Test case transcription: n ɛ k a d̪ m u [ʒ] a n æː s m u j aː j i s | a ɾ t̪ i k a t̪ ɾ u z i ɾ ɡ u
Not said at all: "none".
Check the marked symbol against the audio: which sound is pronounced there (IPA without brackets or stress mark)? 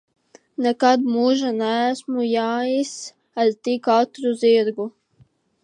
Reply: ʒ